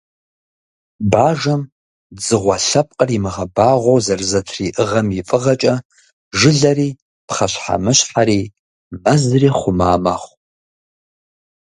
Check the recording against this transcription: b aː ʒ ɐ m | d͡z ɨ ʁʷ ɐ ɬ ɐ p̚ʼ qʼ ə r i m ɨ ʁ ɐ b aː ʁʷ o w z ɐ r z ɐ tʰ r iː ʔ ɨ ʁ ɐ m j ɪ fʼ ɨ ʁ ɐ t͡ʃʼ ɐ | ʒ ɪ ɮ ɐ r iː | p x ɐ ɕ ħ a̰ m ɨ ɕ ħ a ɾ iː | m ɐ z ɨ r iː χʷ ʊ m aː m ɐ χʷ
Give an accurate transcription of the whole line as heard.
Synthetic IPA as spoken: b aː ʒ ɐ m | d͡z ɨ ʁʷ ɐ ɬ ɐ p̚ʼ qʼ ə r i m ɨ ʁ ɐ b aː ʁʷ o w z ɐ r z ɐ tʰ r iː ʔ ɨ ʁ ɐ m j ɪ fʼ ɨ ʁ ɐ t͡ʃʼ ɐ | ʒ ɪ ɮ ɐ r iː | p χ ɐ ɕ ħ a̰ m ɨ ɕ ħ a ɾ iː | m ɐ z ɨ r iː χʷ ʊ m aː m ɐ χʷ